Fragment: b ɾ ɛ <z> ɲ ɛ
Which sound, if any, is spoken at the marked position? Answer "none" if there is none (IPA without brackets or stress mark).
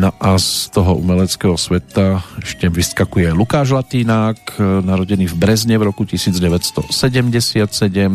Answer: z